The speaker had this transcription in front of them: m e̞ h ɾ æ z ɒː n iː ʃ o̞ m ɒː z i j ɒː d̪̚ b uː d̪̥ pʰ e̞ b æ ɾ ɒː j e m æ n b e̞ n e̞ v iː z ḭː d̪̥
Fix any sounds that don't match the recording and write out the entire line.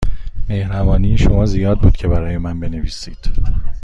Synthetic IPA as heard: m e̞ h ɾ æ v ɒː n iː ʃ o̞ m ɒː z i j ɒː d̪̚ b uː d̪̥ cʰ e̞ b æ ɾ ɒː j e m æ n b e̞ n e̞ v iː s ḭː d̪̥